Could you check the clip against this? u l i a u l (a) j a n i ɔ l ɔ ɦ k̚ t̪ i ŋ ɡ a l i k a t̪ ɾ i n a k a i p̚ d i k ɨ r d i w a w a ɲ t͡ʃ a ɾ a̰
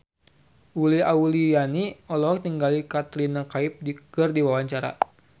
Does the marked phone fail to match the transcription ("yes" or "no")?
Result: yes